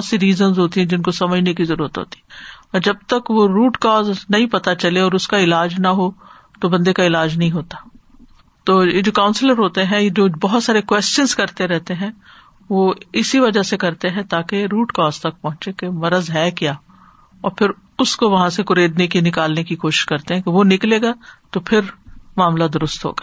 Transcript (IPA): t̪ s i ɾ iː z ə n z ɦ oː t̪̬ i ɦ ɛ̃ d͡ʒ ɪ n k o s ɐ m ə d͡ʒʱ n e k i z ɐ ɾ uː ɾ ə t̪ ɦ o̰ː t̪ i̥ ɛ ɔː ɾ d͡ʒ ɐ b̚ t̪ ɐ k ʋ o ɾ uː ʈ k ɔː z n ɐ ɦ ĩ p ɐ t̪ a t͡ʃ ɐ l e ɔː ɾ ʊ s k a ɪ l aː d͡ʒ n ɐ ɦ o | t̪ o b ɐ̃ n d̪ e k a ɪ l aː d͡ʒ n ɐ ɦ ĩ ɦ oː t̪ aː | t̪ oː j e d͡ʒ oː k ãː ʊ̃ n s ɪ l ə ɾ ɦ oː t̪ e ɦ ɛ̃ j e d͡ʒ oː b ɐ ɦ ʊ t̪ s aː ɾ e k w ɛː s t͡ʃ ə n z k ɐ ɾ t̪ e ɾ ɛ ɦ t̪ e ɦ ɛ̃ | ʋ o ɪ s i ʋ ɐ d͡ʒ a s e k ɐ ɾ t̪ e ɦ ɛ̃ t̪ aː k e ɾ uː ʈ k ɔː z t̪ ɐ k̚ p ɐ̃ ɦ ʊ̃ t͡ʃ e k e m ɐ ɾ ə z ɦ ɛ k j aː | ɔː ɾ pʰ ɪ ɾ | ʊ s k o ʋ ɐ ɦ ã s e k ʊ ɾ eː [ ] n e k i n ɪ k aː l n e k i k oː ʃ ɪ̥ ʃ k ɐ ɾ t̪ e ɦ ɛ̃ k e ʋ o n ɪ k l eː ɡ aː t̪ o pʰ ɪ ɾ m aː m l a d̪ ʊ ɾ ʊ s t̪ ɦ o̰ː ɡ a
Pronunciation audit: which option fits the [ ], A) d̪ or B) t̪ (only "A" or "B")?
A